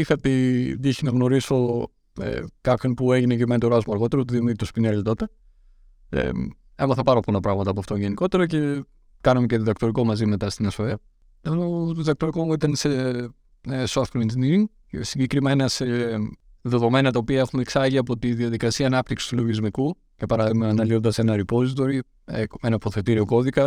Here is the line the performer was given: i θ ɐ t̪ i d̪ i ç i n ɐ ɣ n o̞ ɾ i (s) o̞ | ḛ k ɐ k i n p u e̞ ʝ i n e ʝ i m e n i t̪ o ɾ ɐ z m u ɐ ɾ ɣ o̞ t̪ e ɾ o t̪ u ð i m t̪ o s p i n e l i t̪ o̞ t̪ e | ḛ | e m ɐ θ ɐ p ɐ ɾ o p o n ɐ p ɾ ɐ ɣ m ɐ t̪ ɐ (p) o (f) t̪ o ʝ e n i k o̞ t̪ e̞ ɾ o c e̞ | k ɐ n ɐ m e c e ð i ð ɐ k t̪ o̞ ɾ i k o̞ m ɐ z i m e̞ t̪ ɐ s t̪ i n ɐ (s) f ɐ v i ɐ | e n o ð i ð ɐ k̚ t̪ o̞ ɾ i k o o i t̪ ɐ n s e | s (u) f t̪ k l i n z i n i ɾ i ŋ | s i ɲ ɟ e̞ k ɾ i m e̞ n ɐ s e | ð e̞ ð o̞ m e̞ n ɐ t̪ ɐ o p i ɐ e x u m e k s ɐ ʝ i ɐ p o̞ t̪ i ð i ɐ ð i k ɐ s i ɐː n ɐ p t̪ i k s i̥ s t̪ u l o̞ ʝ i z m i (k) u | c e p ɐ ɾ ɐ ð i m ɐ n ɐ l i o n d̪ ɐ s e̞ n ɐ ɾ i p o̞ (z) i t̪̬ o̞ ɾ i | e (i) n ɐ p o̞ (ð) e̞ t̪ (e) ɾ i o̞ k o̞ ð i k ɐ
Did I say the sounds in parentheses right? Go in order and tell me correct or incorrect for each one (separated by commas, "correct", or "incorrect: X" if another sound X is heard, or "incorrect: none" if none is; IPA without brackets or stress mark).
correct, correct, correct, correct, incorrect: o, correct, correct, incorrect: e, incorrect: θ, incorrect: i